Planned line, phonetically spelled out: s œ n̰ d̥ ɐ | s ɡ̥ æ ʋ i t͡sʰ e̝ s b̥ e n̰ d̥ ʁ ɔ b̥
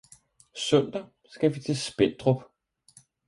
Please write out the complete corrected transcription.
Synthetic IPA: s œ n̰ d̥ ɐ | s ɡ̥ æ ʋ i t͡sʰ e̝ s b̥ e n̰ d̥ ʁ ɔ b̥

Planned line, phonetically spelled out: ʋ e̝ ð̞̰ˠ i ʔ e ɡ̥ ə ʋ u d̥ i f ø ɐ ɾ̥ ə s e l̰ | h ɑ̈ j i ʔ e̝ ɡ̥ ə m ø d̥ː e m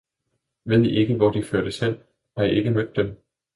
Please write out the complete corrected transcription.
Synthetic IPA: ʋ e̝ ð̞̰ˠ i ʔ e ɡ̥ ə ʋ ɒ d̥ i f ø ɐ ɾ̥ ə s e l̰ | h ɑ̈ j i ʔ e̝ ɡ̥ ə m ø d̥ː e m

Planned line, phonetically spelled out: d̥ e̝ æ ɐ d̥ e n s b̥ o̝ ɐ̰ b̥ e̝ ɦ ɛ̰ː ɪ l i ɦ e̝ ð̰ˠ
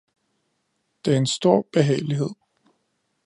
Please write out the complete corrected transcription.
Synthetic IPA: d̥ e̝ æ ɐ e n s d̥ o̝ ɐ̰ b̥ e̝ ɦ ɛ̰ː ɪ l i ɦ e̝ ð̰ˠ

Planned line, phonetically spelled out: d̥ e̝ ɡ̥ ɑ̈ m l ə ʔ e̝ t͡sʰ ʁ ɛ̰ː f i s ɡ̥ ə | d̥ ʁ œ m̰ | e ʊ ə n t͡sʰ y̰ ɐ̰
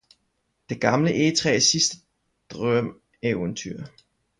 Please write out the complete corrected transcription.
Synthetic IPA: d̥ e̝ ɡ̥ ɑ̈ m l ə ʔ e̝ t͡sʰ ʁ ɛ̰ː s i s d̥ ə | d̥ ʁ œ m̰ | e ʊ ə n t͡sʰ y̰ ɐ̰

